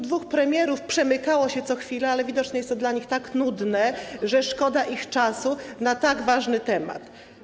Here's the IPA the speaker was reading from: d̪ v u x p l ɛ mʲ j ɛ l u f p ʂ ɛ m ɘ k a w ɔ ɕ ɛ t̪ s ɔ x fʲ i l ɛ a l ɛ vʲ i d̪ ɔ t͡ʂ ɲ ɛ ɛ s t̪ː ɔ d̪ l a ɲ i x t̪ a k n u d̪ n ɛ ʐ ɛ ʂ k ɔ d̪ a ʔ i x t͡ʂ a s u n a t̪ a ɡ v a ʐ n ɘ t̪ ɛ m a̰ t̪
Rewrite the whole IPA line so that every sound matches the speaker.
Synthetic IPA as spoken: d̪ v u x p ɾ ɛ mʲ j ɛ ɾ u f p ʂ ɛ m ɘ k a w ɔ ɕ ɛ t̪ s ɔ x fʲ i l ɛ a l ɛ vʲ i d̪ ɔ t͡ʂ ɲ ɛ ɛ s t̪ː ɔ d̪ l a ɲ i x t̪ a k n u d̪ n ɛ ʐ ɛ ʂ k ɔ d̪ a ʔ i x t͡ʂ a s u n a t̪ a ɡ v a ʐ n ɘ t̪ ɛ m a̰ t̪